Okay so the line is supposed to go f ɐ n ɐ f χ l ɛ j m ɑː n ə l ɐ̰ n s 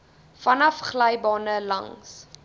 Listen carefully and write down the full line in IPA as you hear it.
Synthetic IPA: f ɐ n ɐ f χ l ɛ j b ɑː n ə l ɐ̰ ŋ s